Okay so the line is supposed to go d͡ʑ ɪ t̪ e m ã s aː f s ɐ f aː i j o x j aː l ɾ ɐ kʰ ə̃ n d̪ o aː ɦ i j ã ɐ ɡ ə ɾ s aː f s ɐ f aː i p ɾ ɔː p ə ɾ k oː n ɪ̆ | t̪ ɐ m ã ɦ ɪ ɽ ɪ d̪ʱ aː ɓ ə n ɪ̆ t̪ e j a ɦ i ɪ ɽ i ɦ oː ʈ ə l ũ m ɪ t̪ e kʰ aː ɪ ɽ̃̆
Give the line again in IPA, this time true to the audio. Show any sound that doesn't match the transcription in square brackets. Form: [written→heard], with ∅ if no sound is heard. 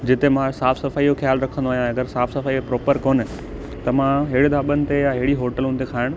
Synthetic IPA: d͡ʑ ɪ t̪ e m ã s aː f s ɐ f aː i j o x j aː l ɾ ɐ kʰ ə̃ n d̪ o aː ɦ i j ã ɐ ɡ ə ɾ s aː f s ɐ f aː i p ɾ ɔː p ə ɾ k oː n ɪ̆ | t̪ ɐ m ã ɦ ɪ ɽ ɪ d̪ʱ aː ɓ ə n ɪ̆ t̪ e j a ɦ [i→ɪ] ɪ ɽ i ɦ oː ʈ ə l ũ [m→n] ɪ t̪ e kʰ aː ɪ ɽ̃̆